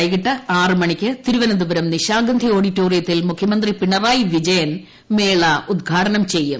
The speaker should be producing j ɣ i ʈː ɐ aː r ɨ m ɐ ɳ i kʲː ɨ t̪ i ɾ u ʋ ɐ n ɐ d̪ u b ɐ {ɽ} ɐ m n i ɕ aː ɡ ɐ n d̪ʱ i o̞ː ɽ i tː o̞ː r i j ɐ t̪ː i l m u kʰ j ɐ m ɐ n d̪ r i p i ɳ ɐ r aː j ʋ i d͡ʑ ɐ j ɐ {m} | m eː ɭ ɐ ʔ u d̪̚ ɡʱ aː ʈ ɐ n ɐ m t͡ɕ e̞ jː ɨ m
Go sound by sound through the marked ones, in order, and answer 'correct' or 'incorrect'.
incorrect, incorrect

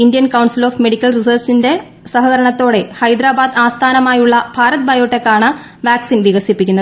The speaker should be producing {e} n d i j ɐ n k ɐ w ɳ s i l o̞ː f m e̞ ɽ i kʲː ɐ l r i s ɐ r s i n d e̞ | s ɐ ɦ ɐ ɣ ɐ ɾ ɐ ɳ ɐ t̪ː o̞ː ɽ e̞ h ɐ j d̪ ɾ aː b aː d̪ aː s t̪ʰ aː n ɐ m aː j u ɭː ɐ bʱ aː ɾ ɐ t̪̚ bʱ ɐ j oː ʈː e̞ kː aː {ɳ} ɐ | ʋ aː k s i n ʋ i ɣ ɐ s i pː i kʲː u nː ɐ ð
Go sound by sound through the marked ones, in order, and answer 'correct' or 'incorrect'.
incorrect, correct

